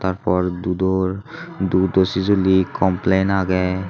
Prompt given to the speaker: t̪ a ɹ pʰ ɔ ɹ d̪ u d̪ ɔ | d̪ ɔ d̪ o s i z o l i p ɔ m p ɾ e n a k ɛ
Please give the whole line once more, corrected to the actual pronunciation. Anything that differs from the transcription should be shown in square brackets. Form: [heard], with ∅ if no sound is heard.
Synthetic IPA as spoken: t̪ a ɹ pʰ ɔ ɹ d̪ u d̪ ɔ | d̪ [u] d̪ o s i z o l i [k] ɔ m p [l] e n a [ɡ] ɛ